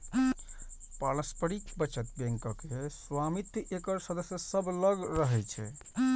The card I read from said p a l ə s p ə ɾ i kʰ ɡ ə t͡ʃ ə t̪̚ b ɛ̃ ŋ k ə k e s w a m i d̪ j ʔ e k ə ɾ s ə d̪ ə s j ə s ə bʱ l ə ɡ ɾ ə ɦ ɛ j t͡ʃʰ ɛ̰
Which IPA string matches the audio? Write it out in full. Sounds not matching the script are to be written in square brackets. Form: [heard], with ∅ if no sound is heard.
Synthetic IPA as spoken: p a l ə s p ə ɾ i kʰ [b] ə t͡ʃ ə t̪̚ b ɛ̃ ŋ k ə k e s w a m i [t̪] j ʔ e k ə ɾ s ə d̪ ə s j ə s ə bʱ l ə ɡ ɾ ə ɦ ɛ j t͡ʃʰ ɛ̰